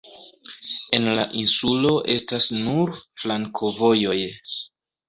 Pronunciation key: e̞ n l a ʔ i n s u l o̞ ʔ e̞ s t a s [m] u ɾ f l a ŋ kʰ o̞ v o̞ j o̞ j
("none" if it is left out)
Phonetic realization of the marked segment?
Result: n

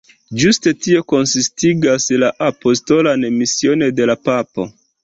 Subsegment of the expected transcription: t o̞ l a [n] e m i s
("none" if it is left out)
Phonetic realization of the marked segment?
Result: n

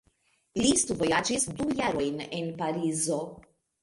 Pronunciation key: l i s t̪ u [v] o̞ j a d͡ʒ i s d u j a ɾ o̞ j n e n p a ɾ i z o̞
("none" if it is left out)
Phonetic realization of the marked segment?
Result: v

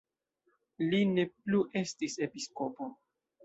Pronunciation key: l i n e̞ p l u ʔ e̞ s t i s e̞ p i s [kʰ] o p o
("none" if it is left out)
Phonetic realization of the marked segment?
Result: k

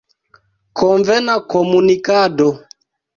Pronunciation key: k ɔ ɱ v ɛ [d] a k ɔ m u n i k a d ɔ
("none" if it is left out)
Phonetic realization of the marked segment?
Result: n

